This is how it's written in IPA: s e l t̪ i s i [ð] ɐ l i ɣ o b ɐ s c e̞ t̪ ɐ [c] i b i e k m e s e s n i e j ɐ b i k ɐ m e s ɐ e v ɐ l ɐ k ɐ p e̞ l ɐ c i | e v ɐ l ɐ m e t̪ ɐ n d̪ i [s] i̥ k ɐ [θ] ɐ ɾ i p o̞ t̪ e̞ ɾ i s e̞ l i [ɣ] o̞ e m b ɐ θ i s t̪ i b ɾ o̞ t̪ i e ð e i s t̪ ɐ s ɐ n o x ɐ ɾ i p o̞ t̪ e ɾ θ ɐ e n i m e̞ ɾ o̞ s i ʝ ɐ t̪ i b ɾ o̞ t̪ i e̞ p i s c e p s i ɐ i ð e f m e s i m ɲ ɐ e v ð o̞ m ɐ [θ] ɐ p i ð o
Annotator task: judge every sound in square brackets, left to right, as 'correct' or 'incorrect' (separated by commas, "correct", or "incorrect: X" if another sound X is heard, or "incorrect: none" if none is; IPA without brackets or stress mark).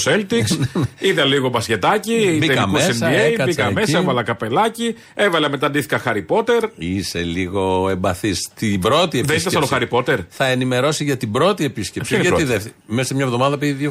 correct, correct, incorrect: θ, incorrect: x, correct, incorrect: ð